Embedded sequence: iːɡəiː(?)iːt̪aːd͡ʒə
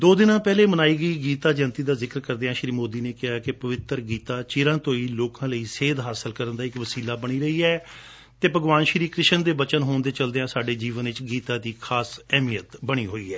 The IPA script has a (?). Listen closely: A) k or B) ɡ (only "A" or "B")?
B